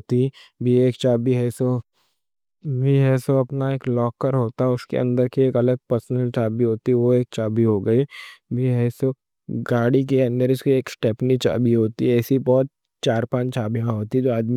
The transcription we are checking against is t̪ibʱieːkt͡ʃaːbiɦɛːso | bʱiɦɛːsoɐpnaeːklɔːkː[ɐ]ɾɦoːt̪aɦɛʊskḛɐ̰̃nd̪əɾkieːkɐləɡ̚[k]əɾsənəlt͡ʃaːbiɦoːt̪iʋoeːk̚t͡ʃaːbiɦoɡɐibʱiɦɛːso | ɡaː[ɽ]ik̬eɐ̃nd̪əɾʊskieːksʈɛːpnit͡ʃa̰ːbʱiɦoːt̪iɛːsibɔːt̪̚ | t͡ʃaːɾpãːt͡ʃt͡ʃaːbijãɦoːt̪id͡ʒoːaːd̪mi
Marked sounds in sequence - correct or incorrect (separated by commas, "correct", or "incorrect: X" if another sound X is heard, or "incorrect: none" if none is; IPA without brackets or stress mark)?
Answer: incorrect: ə, incorrect: p, correct